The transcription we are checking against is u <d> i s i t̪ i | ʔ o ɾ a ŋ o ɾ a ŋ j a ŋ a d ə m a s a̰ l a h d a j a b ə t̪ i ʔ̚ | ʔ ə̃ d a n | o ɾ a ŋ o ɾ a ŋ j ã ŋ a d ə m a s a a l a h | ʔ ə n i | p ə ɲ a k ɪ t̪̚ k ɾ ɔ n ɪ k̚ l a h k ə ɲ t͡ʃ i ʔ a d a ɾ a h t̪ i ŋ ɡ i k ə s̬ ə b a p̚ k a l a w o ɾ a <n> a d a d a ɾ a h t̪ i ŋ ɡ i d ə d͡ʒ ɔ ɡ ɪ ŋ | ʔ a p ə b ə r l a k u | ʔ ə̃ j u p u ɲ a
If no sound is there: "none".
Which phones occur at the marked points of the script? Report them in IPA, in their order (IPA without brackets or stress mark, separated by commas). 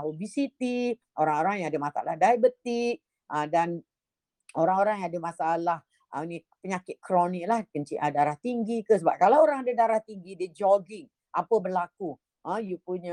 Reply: b, ŋ